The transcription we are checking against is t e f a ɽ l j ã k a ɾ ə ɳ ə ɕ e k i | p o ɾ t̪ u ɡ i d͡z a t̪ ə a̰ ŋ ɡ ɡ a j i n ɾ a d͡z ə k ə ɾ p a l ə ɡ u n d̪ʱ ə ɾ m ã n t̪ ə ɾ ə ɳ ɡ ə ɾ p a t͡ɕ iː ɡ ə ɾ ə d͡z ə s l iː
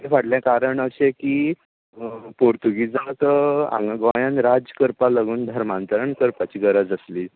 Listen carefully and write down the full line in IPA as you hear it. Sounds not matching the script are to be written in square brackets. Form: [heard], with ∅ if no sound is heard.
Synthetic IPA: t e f a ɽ l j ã k a ɾ ə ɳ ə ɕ e k i | p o ɾ t̪ u ɡ i d͡z a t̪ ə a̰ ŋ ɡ ɡ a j [a] n ɾ a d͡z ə k ə ɾ p a l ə ɡ [uː] n d̪ʱ ə ɾ m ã n t̪ ə ɾ ə ɳ [k] ə ɾ p a t͡ɕ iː ɡ ə ɾ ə d͡z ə s l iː

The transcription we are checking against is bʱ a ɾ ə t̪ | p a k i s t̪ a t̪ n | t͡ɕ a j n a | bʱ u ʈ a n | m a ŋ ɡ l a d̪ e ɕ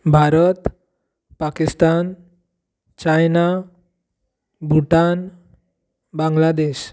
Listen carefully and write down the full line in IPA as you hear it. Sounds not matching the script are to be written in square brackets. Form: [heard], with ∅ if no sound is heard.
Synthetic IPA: bʱ a ɾ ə t̪ | p a k i s t̪ a [∅] n | t͡ɕ a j n a | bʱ u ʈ a n | [b] a ŋ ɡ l a d̪ e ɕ

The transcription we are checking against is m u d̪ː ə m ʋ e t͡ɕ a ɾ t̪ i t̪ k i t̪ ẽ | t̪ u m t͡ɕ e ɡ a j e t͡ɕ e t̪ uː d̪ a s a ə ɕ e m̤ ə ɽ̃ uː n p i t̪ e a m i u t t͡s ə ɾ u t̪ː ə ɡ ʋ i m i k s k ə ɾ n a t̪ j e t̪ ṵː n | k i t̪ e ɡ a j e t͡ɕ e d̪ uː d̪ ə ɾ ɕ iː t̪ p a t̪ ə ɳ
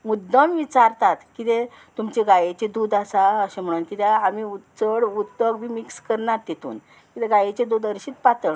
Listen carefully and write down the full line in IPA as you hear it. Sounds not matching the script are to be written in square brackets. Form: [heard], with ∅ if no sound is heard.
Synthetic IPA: m u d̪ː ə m ʋ [i] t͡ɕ a ɾ t̪ [a] t̪ k i t̪ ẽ | t̪ u m t͡ɕ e ɡ a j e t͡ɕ e [d̪] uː d̪ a s a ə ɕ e m̤ ə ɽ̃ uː n [k] i t̪ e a m i u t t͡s ə [ɽ] u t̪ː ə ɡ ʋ i m i k s k ə ɾ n a t̪ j e t̪ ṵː n | k i t̪ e ɡ a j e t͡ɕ e d̪ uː d̪ ə ɾ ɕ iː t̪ p a t̪ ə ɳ

